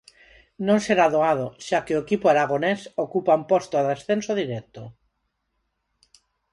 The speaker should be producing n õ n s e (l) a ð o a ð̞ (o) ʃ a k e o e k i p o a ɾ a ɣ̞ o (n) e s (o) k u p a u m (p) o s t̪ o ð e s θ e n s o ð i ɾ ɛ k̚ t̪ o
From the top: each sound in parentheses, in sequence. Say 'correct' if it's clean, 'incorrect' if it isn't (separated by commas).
incorrect, correct, correct, correct, correct